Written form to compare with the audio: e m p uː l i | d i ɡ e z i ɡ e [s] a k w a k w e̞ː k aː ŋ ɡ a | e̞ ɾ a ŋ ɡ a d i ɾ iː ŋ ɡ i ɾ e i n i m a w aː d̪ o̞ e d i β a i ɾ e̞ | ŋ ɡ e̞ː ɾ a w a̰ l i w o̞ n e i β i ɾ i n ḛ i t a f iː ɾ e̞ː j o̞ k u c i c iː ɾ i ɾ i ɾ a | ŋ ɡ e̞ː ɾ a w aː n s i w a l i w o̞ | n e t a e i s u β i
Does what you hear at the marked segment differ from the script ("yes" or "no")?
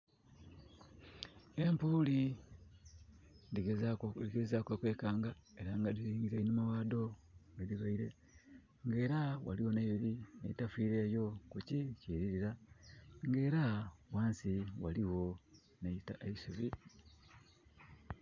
yes